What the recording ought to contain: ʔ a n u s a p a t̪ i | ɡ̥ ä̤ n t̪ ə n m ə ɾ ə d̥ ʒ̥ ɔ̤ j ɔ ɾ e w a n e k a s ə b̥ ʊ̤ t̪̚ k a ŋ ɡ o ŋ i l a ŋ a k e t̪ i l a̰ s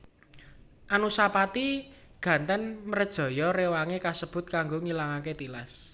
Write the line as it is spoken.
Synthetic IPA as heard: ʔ a n u s a p a t̪ i | ɡ̥ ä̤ n t̪ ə n m ə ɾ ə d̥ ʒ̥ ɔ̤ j ɔ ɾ e w a ŋ e k a s ə b̥ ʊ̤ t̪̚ k a ŋ ɡ o ŋ i l a ŋ a k e t̪ i l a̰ s